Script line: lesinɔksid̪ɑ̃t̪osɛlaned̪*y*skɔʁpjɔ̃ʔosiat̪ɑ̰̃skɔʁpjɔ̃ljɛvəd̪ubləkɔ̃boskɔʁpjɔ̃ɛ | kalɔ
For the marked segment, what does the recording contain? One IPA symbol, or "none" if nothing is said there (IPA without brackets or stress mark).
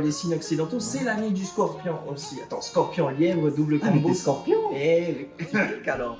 y